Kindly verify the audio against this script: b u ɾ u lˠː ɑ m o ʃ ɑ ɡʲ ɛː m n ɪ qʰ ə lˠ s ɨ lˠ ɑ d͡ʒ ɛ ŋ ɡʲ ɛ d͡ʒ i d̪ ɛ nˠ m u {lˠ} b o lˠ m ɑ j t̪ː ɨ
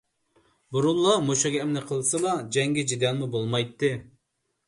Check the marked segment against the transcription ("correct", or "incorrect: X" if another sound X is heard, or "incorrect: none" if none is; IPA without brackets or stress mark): incorrect: none